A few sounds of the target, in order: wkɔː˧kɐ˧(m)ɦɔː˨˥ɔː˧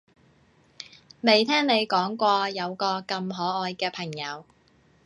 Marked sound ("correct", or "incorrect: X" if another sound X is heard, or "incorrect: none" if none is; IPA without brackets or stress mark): correct